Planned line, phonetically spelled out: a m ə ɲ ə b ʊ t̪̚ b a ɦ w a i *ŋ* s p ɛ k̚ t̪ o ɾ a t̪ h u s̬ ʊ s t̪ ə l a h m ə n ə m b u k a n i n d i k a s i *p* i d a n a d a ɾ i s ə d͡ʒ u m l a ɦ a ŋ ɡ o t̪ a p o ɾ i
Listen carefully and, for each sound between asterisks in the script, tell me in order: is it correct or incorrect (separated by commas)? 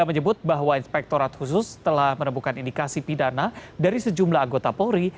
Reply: incorrect, correct